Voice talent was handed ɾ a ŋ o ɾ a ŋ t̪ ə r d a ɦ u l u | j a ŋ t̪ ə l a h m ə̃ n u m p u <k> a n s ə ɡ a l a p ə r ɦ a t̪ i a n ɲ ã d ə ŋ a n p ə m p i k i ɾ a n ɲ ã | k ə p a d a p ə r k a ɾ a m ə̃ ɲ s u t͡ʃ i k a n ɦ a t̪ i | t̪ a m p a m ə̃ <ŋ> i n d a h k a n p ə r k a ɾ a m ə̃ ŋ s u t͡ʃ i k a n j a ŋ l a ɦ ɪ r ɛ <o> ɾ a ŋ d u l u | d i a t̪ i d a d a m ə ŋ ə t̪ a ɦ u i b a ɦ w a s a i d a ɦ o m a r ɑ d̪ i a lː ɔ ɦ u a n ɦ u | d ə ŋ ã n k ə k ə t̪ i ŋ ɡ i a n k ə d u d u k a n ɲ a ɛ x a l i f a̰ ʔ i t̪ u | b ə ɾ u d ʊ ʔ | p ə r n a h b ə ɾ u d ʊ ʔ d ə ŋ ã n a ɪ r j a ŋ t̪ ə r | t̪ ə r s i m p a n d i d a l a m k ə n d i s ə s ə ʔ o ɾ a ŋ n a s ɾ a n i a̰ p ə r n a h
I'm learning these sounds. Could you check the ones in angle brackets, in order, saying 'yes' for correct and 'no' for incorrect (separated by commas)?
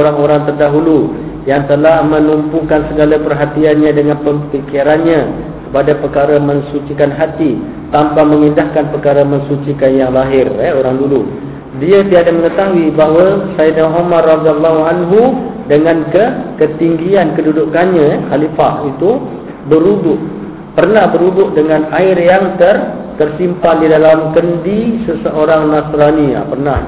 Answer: yes, yes, yes